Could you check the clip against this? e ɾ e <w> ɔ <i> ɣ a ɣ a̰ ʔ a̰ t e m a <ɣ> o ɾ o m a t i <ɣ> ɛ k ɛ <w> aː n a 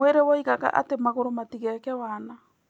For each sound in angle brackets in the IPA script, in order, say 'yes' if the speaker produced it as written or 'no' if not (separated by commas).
yes, yes, yes, yes, yes